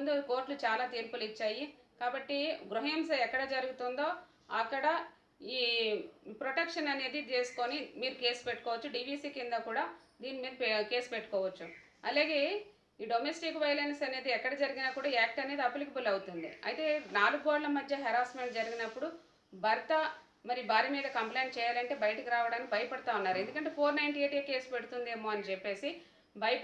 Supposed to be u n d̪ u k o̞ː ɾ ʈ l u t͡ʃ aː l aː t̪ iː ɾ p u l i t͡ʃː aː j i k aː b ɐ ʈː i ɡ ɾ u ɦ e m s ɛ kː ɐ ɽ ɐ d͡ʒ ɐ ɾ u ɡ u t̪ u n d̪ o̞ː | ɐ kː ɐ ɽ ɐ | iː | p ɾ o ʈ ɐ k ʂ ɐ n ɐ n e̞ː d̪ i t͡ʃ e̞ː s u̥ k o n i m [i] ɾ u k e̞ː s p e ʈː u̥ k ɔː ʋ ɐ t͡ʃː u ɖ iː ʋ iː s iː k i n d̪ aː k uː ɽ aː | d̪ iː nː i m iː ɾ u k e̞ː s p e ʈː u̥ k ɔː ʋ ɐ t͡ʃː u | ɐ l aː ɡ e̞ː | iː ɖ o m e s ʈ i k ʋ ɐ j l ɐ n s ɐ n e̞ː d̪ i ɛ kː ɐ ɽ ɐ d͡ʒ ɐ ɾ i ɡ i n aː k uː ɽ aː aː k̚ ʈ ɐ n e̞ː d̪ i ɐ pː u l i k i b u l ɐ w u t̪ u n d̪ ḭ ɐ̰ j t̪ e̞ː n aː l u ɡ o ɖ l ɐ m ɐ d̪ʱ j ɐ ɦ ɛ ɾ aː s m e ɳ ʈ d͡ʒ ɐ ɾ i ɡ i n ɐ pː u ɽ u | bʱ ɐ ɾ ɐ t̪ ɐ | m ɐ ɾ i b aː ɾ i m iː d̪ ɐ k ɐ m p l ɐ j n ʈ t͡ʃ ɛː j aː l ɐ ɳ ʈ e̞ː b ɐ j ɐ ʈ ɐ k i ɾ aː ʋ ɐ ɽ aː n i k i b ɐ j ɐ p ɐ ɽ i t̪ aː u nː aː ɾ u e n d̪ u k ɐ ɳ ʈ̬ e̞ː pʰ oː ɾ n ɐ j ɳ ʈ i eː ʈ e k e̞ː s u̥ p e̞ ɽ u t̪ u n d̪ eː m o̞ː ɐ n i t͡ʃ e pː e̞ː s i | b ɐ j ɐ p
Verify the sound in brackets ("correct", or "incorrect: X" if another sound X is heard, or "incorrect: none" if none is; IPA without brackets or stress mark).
incorrect: iː